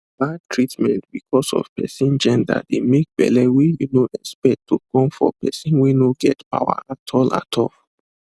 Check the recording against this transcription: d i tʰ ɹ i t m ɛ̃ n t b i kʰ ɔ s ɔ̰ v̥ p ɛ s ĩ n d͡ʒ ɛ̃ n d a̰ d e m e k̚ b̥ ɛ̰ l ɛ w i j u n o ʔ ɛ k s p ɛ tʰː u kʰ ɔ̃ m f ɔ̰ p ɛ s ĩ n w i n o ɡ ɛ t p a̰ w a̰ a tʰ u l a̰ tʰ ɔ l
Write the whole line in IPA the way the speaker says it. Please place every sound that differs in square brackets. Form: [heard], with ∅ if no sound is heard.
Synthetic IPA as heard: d [a] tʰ ɹ i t m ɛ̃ n t b i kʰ ɔ s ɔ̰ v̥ p ɛ s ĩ n d͡ʒ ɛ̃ n d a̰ d e m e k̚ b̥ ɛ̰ l ɛ w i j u n o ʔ ɛ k s p ɛ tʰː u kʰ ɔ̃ m f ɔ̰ p ɛ s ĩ n w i n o ɡ ɛ t p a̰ w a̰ a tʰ [ɔ] l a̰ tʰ ɔ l